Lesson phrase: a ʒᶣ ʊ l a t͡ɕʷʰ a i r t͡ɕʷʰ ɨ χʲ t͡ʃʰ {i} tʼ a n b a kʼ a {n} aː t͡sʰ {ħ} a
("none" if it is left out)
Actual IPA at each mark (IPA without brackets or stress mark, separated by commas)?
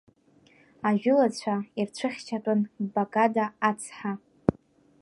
a, d, ħ